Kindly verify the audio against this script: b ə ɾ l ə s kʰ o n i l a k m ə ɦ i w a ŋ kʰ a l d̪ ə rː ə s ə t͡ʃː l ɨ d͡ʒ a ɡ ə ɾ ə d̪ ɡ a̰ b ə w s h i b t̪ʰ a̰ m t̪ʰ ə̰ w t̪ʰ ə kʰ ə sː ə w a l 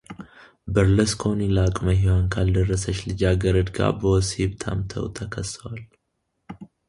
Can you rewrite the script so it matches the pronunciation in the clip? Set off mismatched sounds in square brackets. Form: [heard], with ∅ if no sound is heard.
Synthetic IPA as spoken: b ə ɾ l ə s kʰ o n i l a [kʼ] m ə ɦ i w a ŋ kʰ a l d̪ ə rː ə s ə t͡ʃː l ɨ d͡ʒ a ɡ ə ɾ ə d̪ ɡ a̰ b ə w s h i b t̪ʰ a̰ m t̪ʰ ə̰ w t̪ʰ ə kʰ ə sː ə w a l